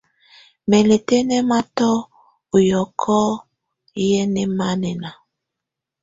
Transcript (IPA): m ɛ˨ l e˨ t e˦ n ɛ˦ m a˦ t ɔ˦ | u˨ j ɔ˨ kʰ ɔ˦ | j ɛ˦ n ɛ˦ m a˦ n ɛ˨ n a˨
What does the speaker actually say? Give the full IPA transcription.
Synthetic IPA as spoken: m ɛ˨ l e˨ t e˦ n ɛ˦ m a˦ t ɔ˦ | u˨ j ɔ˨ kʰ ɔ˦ | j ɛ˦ n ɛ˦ m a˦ n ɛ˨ n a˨